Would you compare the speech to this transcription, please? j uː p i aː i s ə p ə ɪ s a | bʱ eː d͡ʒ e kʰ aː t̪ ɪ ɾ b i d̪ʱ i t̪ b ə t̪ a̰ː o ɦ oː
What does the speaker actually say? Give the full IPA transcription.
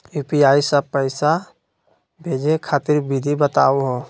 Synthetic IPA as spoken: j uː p i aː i s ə p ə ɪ s a | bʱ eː d͡ʒ e kʰ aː t̪ ɪ ɾ b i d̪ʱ i b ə t̪ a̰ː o ɦ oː